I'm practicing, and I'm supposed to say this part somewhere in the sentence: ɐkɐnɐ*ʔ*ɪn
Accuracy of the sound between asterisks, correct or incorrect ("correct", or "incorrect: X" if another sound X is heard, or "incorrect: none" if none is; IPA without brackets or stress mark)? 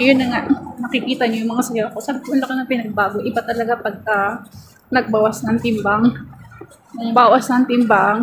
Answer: incorrect: p